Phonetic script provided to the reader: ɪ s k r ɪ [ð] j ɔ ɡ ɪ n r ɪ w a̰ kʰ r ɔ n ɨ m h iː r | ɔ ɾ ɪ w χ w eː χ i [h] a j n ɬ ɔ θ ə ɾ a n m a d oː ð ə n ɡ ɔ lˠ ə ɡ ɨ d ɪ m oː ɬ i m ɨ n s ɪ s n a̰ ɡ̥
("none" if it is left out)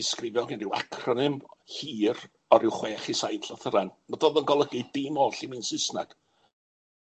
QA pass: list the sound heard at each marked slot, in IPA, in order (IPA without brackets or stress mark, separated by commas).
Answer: v, s